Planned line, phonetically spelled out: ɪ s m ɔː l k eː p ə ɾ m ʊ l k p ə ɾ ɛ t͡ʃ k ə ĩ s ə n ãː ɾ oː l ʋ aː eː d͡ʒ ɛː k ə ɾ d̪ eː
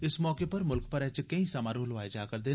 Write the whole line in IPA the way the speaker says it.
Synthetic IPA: ɪ s m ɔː k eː p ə ɾ m ʊ l k p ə ɾ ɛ t͡ʃ k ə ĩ s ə m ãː ɾ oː l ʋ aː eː d͡ʒ aː k ə ɾ d̪ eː

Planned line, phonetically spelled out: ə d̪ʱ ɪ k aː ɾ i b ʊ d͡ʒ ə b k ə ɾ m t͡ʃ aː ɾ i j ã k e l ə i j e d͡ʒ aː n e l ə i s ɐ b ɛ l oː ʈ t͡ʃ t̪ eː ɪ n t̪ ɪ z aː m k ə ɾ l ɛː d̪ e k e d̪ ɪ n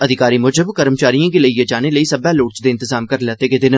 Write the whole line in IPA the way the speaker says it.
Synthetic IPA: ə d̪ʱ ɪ k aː ɾ i m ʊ d͡ʒ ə b k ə ɾ m t͡ʃ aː ɾ i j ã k e l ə i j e d͡ʒ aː n e l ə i s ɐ b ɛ l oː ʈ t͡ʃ d̪ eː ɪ n t̪ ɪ z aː m k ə ɾ l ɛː t̪ e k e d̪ ɪ n

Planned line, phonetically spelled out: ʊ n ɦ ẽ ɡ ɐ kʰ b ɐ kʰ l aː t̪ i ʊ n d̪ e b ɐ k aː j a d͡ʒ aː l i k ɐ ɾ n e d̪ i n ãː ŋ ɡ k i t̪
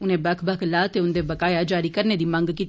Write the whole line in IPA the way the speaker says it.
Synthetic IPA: ʊ n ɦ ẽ b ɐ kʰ b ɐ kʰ l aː t̪ e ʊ n d̪ e b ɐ k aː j a d͡ʒ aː ɾ i k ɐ ɾ n e d̪ i m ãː ŋ ɡ k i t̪

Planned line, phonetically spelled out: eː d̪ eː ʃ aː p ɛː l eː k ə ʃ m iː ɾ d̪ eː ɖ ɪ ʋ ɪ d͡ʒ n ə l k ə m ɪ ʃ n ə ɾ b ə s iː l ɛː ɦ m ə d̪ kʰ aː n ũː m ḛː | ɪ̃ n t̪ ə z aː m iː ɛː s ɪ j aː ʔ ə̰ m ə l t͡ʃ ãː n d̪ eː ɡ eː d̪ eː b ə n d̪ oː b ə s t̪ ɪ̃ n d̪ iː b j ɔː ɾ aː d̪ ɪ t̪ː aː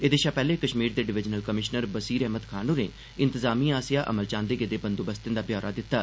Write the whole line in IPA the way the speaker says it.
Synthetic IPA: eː d̪ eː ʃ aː p ɛː l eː k ə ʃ m iː ɾ d̪ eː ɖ ɪ ʋ ɪ d͡ʒ n ə l k ə m ɪ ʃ n ə ɾ b ə s iː ɾ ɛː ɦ m ə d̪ kʰ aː n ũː n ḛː | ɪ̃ n t̪ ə z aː m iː aː s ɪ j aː ʔ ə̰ m ə l t͡ʃ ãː n d̪ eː ɡ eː d̪ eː b ə n d̪ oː b ə s t̪ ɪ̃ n d̪ aː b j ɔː ɾ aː d̪ ɪ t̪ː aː

